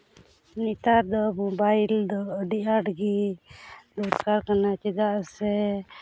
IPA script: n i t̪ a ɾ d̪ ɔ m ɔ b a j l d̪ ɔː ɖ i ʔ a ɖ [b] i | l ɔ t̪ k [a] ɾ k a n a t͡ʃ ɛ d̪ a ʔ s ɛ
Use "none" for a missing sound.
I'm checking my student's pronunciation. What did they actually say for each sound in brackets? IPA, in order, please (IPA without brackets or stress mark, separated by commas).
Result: ɡ, a